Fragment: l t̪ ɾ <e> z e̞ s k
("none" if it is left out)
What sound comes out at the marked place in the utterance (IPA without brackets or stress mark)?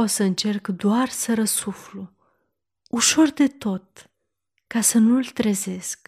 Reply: e